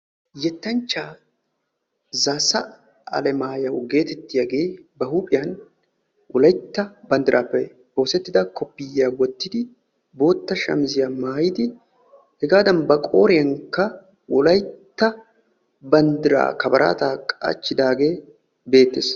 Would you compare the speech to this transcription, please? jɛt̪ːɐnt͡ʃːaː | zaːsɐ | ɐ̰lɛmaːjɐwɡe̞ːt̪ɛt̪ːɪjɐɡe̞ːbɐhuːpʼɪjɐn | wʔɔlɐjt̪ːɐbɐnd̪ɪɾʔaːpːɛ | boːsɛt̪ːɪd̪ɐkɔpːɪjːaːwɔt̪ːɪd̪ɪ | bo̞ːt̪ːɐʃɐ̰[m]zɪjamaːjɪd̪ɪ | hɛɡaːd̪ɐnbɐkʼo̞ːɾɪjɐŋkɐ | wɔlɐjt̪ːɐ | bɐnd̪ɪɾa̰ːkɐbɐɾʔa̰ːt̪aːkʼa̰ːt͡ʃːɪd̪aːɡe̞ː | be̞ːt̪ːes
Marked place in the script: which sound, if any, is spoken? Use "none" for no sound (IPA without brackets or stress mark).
m